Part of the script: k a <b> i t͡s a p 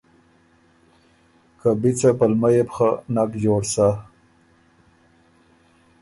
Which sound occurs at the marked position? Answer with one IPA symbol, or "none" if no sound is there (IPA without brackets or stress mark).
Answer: b